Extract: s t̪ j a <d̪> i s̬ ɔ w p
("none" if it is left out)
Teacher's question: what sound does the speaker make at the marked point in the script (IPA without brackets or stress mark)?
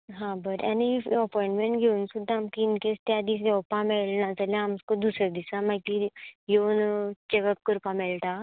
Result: d̪